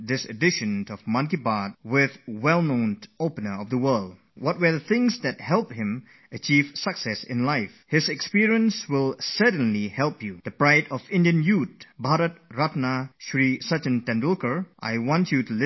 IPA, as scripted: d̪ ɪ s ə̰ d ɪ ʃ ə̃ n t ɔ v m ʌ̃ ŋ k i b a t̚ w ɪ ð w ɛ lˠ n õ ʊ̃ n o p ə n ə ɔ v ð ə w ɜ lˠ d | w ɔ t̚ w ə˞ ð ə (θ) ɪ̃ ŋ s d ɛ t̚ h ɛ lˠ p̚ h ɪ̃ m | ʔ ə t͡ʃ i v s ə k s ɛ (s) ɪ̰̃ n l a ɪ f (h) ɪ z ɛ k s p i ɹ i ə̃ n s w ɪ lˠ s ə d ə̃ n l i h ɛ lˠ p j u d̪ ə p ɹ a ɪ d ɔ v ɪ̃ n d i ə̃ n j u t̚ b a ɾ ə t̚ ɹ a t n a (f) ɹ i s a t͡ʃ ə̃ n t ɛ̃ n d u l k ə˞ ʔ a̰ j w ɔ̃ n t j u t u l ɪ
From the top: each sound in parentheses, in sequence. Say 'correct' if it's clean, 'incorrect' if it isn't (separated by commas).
correct, correct, correct, incorrect